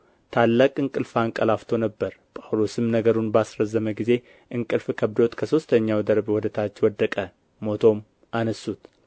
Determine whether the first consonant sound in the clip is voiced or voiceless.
voiceless